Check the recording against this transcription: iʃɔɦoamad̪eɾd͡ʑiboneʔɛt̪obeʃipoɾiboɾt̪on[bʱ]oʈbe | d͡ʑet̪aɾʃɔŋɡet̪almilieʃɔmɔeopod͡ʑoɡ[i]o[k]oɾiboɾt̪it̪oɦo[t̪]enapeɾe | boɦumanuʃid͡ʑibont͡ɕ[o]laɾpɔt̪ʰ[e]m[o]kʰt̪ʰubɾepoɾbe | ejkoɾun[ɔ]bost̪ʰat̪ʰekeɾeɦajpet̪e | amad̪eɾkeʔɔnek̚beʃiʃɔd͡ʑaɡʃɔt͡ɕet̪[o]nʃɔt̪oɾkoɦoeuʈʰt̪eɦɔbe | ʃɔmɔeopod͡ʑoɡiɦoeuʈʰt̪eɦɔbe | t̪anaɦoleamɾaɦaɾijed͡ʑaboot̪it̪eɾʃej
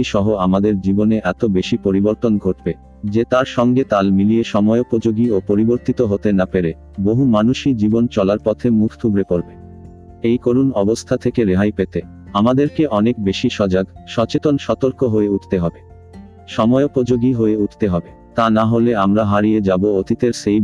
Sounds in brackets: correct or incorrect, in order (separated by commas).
incorrect, correct, incorrect, correct, incorrect, correct, incorrect, correct, correct